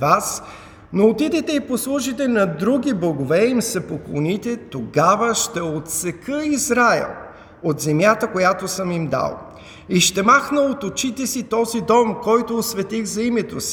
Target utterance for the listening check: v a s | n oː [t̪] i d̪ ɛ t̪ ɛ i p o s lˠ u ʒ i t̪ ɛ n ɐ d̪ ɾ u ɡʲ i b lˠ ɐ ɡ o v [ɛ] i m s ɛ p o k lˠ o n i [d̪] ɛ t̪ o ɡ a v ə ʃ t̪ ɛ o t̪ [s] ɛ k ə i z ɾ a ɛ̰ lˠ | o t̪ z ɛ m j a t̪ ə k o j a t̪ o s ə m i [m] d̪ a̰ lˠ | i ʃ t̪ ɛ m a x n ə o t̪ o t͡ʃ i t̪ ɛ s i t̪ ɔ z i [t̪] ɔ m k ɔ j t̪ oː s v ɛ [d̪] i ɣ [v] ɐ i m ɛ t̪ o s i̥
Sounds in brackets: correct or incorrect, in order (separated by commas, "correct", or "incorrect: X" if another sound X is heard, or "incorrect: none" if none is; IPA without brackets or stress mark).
correct, correct, incorrect: t̪, correct, correct, incorrect: d̪, incorrect: t̪, incorrect: z